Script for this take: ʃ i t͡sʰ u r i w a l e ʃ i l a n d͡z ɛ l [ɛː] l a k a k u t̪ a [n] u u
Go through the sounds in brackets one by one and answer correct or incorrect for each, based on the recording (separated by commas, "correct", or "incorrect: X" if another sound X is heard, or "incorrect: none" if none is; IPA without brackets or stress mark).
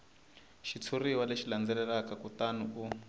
incorrect: ɛ, correct